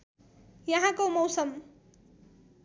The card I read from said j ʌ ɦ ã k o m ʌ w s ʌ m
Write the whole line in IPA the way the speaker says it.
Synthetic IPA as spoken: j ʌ ɦ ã k o m ʌ w s ʌ m